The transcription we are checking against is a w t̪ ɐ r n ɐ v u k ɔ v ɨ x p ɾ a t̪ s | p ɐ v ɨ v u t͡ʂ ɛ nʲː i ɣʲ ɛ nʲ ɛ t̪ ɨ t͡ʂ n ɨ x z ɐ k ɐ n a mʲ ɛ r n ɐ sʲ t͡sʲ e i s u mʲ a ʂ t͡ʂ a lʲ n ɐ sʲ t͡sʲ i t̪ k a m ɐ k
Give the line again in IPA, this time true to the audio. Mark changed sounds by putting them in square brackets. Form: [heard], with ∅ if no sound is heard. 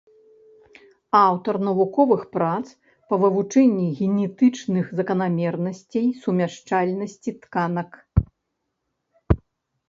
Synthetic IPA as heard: a w t̪ ɐ r n ɐ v u k ɔ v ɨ x p ɾ a t̪ s | p ɐ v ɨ v u t͡ʂ ɛ nʲː i ɣʲ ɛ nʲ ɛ t̪ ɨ t͡ʂ n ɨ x z ɐ k ɐ n a mʲ ɛ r n ɐ sʲ t͡sʲ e [j] s u mʲ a ʂ t͡ʂ a lʲ n ɐ sʲ t͡sʲ i t̪ k a [n] ɐ k